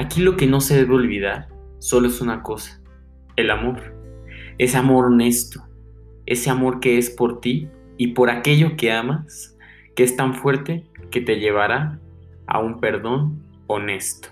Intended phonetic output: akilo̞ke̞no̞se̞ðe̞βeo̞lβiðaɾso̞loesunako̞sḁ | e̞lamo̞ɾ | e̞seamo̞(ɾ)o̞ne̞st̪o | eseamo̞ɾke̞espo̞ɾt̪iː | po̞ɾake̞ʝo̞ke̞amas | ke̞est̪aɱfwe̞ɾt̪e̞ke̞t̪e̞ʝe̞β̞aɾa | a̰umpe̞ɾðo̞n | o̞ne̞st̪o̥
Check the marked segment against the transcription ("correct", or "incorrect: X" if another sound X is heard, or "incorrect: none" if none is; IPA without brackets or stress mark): correct